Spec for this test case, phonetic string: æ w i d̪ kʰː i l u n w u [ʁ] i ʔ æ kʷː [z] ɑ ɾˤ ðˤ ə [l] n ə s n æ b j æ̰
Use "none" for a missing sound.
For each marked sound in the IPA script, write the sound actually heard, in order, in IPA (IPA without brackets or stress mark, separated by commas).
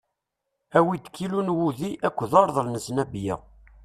ð, ð, l